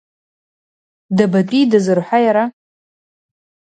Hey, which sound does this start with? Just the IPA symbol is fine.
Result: d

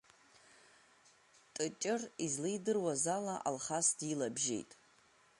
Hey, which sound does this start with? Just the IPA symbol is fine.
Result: tʼ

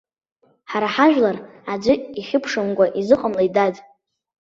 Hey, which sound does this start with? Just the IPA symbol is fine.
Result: ħ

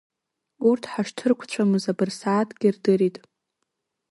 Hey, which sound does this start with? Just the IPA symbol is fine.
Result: u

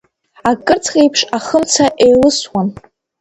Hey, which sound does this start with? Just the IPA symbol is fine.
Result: a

